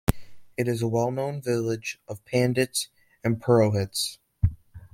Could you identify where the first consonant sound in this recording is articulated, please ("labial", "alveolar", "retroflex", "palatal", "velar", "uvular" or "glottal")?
alveolar